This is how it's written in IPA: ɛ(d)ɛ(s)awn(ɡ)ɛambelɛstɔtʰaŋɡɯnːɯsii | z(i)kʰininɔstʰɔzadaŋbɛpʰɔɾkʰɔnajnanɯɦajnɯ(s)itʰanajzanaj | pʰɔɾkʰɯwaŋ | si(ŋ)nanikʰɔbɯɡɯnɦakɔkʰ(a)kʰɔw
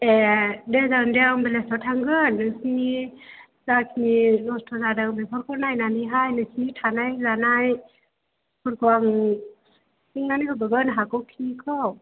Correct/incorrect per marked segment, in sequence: correct, incorrect, incorrect, incorrect, correct, correct, incorrect

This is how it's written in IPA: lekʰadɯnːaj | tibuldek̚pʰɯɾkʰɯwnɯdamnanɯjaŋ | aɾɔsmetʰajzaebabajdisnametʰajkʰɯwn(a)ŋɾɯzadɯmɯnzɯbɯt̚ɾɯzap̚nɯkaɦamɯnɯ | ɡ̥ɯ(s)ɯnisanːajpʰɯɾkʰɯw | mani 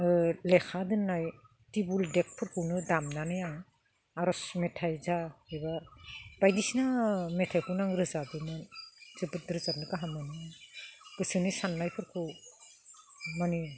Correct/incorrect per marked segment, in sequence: correct, correct

